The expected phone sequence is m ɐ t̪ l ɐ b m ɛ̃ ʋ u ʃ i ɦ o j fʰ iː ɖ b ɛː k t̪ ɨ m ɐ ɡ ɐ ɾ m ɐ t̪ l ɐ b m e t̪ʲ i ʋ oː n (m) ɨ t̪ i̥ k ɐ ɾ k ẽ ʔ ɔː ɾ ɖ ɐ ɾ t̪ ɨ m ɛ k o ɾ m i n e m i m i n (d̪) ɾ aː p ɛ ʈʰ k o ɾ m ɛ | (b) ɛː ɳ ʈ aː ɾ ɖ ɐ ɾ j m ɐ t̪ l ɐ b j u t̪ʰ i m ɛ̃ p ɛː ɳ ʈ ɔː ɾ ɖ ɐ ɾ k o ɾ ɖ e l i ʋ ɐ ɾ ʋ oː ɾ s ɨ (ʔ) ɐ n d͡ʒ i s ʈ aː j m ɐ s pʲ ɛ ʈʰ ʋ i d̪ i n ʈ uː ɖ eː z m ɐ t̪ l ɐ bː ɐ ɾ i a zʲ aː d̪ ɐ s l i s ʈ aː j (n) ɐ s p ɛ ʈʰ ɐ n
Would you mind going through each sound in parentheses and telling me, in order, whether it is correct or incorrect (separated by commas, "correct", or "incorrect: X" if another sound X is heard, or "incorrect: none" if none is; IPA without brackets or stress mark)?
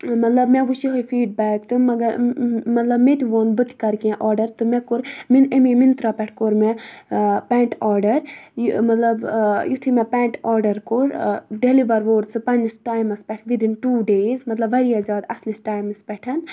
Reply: incorrect: b, incorrect: t̪, incorrect: p, incorrect: p, incorrect: m